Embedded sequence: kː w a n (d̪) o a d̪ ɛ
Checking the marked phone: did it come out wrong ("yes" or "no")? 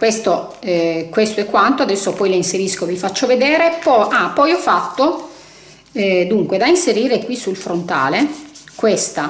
yes